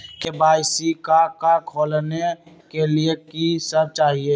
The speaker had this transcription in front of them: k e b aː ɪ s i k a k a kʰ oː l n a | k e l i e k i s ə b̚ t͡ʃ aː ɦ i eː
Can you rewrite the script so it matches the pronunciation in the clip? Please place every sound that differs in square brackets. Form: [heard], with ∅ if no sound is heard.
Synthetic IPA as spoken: k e b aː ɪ s i k a k a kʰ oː l n [e] | k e l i e k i s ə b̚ t͡ʃ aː ɦ i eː